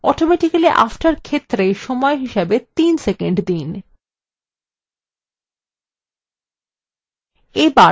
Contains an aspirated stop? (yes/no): yes